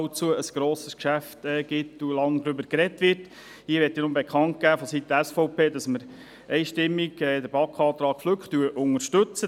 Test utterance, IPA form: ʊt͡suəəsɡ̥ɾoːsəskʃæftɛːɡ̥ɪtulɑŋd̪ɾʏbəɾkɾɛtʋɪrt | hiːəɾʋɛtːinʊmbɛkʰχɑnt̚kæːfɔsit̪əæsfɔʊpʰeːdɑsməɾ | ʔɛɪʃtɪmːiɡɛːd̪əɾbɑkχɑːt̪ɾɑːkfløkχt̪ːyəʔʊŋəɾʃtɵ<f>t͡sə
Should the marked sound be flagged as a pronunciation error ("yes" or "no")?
yes